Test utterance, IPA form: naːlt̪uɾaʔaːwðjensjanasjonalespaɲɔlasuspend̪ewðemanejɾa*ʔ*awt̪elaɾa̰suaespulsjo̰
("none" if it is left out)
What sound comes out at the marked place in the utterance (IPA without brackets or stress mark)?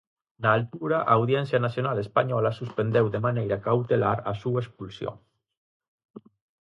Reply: k